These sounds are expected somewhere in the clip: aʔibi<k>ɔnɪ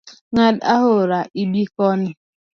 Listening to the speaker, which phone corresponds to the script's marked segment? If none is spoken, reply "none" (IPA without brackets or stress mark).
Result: k